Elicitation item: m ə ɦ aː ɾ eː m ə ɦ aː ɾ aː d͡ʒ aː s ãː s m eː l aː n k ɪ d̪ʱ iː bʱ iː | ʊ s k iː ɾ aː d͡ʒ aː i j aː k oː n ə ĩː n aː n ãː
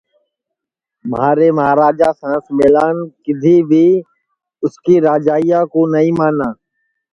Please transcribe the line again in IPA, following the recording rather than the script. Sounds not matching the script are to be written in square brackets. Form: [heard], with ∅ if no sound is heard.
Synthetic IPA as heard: m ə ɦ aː ɾ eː m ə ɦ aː ɾ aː d͡ʒ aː s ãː s m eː l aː n k ɪ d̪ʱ iː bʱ iː | ʊ s k iː ɾ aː d͡ʒ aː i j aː k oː n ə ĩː [m] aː n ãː